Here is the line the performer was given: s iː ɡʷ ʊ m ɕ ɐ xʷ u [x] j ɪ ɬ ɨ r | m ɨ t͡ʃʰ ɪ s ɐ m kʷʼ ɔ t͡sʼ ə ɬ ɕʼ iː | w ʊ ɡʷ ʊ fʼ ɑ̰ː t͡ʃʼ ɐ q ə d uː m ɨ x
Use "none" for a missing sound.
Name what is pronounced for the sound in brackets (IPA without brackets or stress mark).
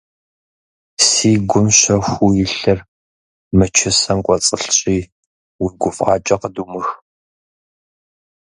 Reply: none